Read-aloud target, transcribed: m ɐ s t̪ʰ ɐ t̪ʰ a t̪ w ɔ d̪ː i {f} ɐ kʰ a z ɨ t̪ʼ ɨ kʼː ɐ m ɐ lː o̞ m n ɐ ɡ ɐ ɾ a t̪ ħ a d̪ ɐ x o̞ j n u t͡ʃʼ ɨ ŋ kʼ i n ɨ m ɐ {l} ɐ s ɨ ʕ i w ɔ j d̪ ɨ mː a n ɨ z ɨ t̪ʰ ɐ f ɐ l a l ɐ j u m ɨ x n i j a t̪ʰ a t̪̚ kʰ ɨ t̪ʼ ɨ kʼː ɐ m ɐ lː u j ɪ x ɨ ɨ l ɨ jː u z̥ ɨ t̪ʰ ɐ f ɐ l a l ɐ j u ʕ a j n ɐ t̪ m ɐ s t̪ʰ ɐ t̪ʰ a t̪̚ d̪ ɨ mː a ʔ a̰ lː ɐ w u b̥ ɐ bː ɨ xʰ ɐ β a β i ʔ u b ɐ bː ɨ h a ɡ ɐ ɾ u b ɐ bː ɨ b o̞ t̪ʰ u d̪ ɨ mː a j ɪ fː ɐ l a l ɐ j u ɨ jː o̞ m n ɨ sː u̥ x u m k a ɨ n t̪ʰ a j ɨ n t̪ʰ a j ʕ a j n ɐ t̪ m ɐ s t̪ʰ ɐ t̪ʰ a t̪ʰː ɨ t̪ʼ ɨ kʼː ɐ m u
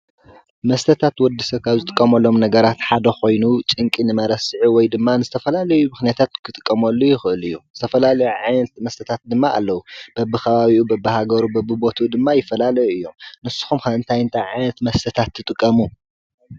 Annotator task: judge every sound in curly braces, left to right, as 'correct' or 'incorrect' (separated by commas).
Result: incorrect, incorrect